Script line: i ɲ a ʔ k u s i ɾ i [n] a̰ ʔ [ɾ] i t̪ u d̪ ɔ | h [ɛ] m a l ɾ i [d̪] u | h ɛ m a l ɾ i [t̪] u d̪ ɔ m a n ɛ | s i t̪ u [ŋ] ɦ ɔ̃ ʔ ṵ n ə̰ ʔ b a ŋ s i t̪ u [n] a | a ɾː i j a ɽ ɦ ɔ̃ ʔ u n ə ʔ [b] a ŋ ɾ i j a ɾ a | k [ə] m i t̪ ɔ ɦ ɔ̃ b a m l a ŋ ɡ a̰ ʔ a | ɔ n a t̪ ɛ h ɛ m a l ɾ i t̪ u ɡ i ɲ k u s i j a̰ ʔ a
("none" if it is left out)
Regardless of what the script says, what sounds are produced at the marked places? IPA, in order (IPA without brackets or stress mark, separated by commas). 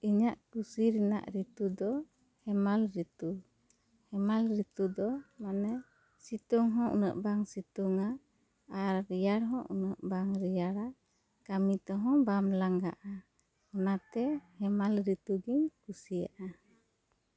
n, ɾ, ɛ, t̪, t̪, ŋ, ŋ, b, a